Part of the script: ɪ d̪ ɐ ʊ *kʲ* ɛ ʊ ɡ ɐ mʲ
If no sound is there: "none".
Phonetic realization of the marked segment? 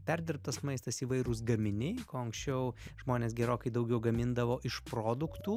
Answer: ɡʲ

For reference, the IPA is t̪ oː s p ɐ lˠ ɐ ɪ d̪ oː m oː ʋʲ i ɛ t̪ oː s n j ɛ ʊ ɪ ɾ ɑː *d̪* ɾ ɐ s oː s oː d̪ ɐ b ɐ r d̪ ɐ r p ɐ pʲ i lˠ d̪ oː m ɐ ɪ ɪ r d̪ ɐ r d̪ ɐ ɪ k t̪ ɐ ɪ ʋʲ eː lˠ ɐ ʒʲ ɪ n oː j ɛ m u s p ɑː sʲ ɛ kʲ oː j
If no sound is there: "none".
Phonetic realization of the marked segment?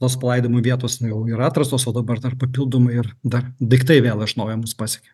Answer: t̪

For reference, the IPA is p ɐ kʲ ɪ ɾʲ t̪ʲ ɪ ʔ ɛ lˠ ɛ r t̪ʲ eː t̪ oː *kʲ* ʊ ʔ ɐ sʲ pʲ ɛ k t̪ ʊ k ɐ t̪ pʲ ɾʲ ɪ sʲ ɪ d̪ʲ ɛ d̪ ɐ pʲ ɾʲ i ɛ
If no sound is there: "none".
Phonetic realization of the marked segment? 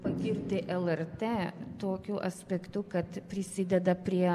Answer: kʲ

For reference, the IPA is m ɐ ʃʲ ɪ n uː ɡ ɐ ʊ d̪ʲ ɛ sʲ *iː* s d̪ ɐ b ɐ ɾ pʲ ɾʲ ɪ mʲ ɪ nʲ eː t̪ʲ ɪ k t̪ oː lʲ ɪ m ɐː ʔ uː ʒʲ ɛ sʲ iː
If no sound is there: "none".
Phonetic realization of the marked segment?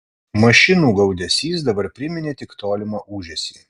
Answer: iː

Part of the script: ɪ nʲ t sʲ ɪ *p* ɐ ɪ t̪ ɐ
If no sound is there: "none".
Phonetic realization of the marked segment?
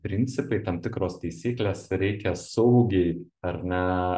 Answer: p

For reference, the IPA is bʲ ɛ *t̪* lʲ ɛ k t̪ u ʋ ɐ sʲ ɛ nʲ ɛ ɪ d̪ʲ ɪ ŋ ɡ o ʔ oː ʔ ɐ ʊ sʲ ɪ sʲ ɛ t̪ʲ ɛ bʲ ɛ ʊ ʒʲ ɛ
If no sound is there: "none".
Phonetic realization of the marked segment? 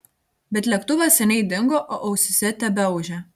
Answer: t̪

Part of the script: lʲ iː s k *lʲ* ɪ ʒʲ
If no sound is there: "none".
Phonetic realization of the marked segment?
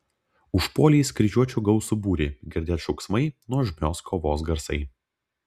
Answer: ɾʲ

